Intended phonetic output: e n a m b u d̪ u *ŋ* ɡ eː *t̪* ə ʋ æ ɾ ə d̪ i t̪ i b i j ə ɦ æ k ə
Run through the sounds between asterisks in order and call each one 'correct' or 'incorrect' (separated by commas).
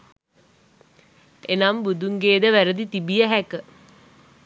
correct, incorrect